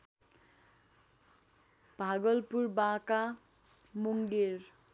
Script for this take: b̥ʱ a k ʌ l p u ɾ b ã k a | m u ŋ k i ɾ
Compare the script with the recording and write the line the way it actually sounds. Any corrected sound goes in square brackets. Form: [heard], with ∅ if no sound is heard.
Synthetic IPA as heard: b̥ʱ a [ɡ] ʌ l p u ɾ b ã k a | m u ŋ [ɡ] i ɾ